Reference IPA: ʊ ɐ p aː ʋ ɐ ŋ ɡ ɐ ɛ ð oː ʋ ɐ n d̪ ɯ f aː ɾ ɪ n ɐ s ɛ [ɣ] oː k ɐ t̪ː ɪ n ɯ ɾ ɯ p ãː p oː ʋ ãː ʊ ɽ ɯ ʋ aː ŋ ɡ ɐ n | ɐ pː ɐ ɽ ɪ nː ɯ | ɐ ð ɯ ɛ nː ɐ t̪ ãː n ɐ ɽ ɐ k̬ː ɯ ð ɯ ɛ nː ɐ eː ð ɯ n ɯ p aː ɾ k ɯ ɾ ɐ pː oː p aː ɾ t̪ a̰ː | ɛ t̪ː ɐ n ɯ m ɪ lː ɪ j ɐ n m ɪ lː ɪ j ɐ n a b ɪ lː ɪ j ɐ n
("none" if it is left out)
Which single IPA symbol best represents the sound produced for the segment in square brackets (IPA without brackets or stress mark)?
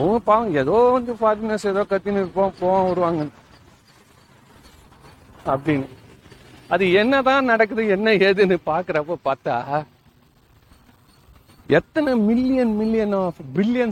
ð